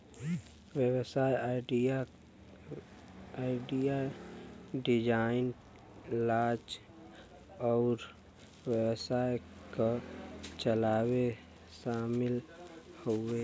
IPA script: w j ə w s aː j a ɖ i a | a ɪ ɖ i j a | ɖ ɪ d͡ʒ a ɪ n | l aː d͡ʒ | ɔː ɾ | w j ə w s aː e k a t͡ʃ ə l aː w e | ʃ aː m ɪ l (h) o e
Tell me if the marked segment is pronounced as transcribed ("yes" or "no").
yes